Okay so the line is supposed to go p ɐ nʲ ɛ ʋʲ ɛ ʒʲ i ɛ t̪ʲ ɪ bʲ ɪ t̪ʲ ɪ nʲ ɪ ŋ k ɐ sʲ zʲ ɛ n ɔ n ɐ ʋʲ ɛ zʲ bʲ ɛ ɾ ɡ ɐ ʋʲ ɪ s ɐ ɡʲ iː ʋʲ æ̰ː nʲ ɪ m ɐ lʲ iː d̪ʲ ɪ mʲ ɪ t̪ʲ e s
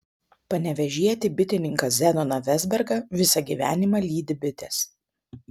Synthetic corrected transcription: p ɐ nʲ ɛ ʋʲ ɛ ʒʲ i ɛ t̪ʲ ɪ bʲ ɪ t̪ʲ ɪ nʲ ɪ ŋ k ɐ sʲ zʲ ɛ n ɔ n ɐ ʋʲ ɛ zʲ bʲ ɛ ɾ ɡ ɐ ʋʲ ɪ s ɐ ɡʲ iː ʋʲ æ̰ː nʲ ɪ m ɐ lʲ iː d̪ʲ ɪ bʲ ɪ t̪ʲ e s